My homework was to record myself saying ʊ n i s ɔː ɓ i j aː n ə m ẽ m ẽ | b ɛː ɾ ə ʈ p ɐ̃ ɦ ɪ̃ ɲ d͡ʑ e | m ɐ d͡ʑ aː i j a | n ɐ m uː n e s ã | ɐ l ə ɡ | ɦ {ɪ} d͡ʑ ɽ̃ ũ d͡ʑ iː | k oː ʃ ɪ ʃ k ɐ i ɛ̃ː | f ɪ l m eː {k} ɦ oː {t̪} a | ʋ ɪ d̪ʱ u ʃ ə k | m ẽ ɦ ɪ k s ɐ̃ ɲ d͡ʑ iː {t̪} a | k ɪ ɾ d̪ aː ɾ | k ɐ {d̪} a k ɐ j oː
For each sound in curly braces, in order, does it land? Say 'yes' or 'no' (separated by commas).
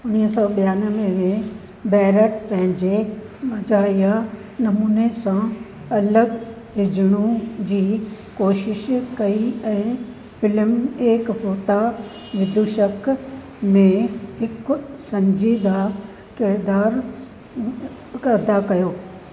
yes, yes, yes, no, yes